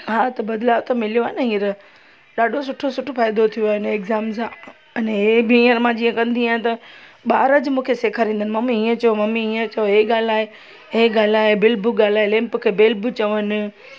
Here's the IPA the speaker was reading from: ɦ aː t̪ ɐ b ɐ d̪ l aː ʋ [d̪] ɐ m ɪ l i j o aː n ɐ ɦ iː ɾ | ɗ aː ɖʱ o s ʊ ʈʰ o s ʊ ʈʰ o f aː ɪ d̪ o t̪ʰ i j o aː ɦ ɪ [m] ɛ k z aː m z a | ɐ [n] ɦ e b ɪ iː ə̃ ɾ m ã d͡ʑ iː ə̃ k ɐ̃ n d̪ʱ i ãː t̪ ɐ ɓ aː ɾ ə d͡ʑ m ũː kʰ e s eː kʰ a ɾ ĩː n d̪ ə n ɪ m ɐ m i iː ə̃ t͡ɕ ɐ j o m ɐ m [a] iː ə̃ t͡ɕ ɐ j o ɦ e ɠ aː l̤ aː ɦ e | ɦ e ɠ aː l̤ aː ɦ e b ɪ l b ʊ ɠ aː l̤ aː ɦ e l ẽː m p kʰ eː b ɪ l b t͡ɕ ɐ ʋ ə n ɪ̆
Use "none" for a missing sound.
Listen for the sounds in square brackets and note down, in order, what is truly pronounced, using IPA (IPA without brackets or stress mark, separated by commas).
t̪, n, n, i